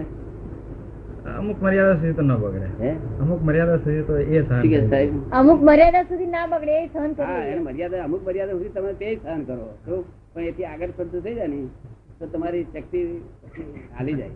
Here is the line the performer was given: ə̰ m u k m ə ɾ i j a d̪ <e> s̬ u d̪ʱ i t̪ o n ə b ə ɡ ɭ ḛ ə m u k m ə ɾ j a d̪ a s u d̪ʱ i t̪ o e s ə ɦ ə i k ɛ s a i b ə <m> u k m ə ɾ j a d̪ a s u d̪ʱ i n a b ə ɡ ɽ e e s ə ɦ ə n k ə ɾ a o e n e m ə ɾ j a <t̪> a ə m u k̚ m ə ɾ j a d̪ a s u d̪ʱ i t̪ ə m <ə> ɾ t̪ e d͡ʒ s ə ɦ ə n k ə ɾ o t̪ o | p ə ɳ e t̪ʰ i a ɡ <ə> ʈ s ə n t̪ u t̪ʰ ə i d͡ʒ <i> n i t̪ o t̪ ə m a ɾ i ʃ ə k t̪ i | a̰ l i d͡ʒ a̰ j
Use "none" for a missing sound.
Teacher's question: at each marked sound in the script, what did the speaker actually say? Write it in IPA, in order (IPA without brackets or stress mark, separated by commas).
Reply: a, m, d̪, a, ə, a